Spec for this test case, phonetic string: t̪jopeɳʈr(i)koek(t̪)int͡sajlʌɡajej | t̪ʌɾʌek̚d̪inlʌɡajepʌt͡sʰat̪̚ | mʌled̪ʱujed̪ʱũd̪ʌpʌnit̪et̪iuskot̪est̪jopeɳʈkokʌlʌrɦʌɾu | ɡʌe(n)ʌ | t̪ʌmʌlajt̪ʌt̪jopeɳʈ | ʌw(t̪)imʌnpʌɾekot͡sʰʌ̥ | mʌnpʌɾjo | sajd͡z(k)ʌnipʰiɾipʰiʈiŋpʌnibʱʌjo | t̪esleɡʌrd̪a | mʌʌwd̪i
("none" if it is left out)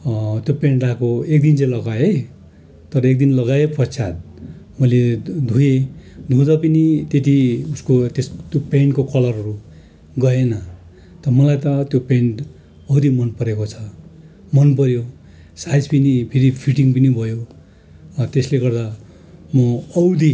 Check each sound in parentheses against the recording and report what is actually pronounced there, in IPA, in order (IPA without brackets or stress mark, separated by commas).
a, d̪, n, d̪, p